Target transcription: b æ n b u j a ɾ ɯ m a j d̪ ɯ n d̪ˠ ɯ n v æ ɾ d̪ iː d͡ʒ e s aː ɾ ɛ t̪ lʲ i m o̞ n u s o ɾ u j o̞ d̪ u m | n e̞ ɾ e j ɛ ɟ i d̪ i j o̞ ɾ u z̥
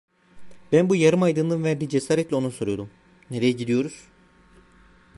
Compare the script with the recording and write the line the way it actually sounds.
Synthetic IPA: b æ n b u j a ɾ ɯ m a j d̪ ɯ n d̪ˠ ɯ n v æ ɾ d̪ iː d͡ʒ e s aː ɾ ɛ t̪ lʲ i o̞ n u s o ɾ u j o̞ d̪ u m | n e̞ ɾ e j ɛ ɟ i d̪ i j o̞ ɾ u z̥

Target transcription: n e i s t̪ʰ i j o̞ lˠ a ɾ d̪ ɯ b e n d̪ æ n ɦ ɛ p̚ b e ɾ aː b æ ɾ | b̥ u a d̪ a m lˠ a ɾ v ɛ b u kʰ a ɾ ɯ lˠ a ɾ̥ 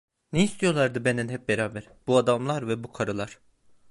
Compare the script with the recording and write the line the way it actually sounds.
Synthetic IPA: n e i s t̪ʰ i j o̞ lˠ a ɾ d̪ ɯ b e n d̪ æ n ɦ ɛ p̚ b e ɾ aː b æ ɾ | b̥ u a d̪ a m lˠ a ɾ v ɛ b u kʰ a ɾ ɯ lˠ a ɾ̥

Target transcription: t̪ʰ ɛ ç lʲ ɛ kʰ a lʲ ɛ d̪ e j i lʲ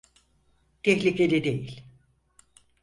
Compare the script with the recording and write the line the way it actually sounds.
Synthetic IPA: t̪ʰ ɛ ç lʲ i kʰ e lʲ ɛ d̪ e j i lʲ

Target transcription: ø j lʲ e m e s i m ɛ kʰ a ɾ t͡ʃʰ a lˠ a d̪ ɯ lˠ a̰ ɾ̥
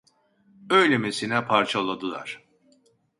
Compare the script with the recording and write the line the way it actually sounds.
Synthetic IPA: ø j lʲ e m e s i n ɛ pʰ a ɾ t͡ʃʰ a lˠ a d̪ ɯ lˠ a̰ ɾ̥

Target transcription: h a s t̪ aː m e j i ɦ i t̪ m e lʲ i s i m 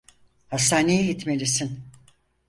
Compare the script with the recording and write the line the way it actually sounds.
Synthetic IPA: h a s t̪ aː n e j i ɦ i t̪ m e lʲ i s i n

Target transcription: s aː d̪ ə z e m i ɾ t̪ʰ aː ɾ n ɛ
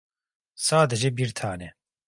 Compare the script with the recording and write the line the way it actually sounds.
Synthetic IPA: s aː d̪ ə ʒ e b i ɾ t̪ʰ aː n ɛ

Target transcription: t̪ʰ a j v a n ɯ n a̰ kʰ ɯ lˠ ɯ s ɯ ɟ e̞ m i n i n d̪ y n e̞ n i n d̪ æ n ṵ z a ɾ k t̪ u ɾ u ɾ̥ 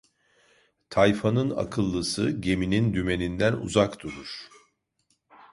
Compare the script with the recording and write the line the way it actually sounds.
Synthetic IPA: t̪ʰ a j f a n ɯ n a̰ kʰ ɯ lˠː ɯ s ɯ ɟ e̞ m i n i n d̪ y m e̞ n i n d̪ æ n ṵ z a k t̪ u ɾ u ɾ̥

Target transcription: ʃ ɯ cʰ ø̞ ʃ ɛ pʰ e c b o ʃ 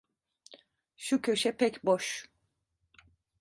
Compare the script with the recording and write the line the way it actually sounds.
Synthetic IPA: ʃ u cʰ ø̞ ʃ ɛ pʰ ɛ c b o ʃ

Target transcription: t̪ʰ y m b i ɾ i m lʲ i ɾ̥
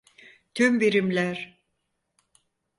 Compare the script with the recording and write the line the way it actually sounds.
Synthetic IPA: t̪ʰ y m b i ɾ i m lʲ æ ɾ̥

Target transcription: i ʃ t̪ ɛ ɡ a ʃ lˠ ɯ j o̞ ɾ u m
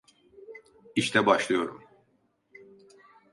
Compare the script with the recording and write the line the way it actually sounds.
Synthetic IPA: i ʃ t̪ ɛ b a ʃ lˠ ɯ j o̞ ɾ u m

